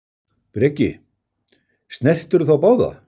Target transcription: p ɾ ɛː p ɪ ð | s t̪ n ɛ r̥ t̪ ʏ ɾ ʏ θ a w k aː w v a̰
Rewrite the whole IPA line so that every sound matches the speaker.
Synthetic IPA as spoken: p ɾ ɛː c ɪ | s t̪ n ɛ r̥ t̪ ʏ ɾ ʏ θ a w p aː w ð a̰